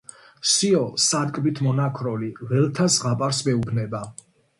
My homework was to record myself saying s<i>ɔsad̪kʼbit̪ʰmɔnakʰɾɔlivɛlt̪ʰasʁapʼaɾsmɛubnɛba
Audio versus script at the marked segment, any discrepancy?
no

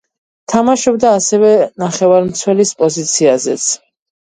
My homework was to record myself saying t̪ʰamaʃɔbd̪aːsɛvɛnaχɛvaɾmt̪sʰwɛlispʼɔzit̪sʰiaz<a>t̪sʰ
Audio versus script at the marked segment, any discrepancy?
yes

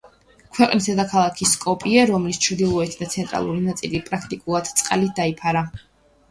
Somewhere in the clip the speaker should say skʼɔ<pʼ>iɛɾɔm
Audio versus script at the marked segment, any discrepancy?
no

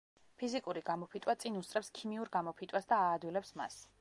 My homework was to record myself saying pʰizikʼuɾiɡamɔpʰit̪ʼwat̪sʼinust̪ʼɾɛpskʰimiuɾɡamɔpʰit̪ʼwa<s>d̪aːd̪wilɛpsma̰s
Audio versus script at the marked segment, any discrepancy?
no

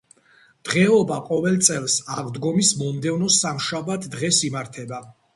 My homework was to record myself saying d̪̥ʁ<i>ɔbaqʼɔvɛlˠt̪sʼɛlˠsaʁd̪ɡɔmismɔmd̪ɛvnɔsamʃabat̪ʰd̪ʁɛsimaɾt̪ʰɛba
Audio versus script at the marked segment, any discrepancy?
yes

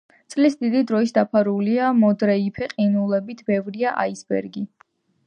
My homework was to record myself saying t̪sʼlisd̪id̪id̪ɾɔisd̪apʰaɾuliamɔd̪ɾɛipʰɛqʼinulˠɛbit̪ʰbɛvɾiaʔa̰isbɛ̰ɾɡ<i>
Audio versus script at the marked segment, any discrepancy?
no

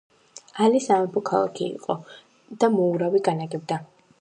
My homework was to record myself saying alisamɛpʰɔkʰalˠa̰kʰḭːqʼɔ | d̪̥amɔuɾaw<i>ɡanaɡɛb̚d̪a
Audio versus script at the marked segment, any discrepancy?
no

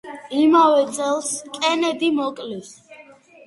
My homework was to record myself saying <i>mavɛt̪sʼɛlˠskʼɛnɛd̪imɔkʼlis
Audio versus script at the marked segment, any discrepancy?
no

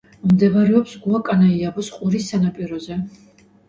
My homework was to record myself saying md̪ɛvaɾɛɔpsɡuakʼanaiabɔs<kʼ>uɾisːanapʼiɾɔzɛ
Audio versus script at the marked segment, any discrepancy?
yes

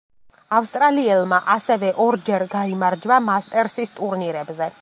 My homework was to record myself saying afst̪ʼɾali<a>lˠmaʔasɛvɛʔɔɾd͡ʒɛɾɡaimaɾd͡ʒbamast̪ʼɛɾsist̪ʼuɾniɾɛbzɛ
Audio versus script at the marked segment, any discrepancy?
yes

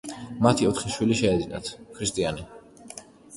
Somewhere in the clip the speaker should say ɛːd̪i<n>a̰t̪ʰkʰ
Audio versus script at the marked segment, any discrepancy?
no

